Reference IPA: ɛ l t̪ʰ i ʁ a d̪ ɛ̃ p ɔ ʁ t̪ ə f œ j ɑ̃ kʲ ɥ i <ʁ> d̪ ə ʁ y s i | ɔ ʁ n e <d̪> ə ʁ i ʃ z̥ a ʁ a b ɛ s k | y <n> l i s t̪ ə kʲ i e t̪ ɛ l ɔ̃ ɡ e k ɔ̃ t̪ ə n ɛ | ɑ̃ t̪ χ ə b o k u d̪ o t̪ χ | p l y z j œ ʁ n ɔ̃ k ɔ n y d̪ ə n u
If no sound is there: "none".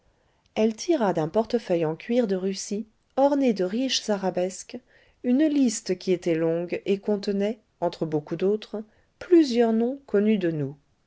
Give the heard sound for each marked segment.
ʁ, d̪, n

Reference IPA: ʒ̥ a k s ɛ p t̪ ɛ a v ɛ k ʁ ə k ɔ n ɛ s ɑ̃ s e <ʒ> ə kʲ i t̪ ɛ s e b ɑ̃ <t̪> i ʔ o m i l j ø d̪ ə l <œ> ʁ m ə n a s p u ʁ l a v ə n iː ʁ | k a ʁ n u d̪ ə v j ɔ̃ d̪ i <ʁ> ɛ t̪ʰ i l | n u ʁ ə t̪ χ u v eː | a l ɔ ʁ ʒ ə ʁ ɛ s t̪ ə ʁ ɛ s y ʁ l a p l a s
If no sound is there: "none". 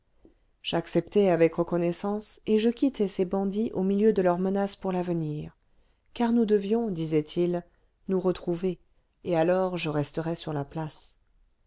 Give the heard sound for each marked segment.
ʒ, d̪, œ, z

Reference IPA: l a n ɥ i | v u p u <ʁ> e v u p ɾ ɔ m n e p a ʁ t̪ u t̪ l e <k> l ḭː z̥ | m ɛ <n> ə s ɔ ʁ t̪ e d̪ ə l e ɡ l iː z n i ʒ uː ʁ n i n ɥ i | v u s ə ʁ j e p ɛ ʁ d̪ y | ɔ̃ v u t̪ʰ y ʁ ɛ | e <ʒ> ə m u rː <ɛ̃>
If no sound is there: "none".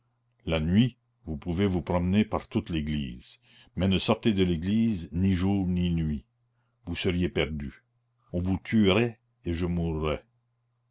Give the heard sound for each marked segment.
v, ɡ, n, ʒ, ɛ

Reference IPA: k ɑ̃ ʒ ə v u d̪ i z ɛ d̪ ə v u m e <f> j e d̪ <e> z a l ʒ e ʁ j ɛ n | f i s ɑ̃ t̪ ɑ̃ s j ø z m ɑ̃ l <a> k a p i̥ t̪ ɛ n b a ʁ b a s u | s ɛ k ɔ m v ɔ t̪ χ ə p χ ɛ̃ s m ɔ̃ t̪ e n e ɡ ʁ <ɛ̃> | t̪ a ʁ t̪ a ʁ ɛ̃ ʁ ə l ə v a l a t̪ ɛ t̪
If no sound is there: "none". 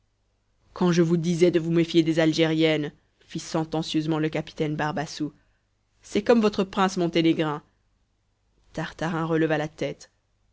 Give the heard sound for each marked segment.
f, e, ə, ɛ̃

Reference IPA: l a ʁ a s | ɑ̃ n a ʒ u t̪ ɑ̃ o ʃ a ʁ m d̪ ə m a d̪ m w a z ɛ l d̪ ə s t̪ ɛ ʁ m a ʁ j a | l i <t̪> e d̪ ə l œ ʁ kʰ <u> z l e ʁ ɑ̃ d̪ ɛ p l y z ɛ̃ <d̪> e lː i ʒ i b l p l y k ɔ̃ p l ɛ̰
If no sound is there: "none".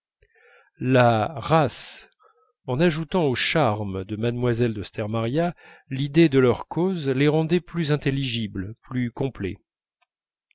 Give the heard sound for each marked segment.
d̪, o, t̪

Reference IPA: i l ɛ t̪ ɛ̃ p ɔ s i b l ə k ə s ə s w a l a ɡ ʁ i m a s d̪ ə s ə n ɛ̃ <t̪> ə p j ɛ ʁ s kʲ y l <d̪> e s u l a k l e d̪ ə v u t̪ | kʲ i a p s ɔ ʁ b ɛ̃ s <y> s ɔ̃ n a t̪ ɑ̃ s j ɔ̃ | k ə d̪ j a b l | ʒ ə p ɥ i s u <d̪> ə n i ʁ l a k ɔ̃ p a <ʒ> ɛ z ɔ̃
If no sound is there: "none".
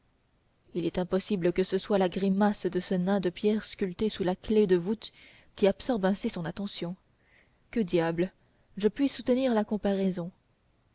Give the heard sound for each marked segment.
d̪, t̪, i, t̪, ʁ

